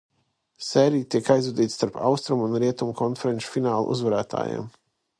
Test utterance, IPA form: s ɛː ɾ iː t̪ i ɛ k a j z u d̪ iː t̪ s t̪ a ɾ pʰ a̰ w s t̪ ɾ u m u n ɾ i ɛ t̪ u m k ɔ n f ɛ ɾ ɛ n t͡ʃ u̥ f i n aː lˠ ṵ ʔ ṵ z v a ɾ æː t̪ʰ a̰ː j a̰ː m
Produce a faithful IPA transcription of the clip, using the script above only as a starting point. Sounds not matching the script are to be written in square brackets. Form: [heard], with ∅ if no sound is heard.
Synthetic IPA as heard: s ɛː ɾ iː t̪ i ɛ k a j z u d̪ iː t̪ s t̪ a ɾ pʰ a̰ w s t̪ ɾ u m u n ɾ i ɛ t̪ u m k ɔ n f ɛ ɾ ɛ n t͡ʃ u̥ f i n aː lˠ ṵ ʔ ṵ z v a ɾ æː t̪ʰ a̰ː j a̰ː m